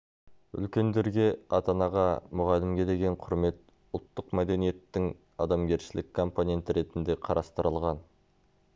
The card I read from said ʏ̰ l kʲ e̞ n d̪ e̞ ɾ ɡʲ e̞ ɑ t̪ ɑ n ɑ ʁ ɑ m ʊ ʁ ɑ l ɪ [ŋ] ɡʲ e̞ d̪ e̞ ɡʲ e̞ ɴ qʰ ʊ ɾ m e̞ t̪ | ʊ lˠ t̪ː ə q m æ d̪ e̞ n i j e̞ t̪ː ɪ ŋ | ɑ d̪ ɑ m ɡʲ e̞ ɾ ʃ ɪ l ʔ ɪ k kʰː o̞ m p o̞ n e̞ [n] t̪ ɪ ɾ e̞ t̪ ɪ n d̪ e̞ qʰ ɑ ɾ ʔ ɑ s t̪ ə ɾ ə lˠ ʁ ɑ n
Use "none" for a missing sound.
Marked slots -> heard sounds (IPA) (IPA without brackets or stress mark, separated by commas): m, n